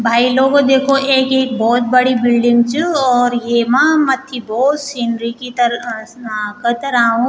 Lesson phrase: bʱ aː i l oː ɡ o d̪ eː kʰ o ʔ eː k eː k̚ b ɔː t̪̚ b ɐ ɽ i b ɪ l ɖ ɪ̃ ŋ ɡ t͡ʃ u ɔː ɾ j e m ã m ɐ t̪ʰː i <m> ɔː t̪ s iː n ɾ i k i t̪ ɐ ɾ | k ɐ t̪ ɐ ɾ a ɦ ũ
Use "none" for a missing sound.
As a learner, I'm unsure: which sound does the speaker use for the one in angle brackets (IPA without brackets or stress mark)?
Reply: b